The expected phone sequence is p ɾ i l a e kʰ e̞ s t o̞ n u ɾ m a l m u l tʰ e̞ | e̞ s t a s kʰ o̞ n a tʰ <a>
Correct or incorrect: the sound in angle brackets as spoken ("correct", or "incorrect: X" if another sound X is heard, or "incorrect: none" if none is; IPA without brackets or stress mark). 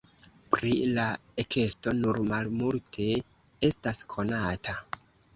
correct